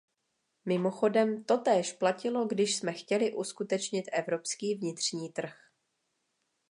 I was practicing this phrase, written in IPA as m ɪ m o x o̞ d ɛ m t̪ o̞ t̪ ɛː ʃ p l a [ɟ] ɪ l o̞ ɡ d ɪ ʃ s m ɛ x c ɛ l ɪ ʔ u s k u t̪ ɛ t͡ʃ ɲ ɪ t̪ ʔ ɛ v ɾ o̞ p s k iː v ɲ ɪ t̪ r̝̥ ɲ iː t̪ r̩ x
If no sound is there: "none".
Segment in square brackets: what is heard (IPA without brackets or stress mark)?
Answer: c